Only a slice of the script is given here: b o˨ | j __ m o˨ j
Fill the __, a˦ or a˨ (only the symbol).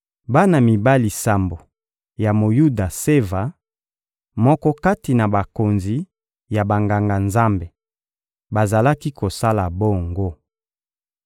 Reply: a˨